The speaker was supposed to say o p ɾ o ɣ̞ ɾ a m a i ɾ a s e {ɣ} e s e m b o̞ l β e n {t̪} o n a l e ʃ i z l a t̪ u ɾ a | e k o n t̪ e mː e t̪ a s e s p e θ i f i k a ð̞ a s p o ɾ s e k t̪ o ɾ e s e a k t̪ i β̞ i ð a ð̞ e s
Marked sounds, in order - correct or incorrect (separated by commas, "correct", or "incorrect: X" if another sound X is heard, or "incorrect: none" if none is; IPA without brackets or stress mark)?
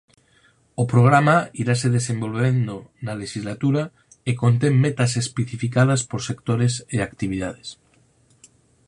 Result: incorrect: ð, incorrect: d̪